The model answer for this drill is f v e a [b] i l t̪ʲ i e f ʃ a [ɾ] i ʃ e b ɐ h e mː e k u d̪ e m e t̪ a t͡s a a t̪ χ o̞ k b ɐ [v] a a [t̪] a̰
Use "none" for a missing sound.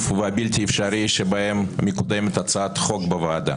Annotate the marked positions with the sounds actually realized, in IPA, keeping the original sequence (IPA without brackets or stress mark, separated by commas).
b, ɾ, v, d̪